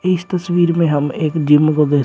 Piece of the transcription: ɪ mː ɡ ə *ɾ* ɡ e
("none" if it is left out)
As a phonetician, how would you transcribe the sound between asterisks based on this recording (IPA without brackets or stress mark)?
none